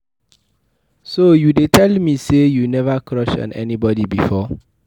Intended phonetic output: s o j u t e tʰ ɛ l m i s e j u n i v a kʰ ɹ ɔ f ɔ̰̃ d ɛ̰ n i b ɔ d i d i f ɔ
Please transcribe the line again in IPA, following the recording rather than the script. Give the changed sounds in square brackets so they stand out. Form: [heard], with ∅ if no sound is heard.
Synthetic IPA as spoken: s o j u [d] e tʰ ɛ l m i s e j u n [ɛ] v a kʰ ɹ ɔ [ʃ] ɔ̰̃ [n] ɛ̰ n i b ɔ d i [b] i f ɔ